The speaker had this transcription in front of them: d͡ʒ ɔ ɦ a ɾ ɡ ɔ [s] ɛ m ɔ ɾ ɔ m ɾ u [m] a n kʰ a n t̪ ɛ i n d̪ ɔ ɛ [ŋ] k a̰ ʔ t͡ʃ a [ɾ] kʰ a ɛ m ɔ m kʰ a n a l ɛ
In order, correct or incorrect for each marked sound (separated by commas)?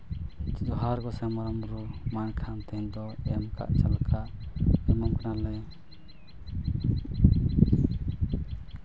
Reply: correct, correct, incorrect, incorrect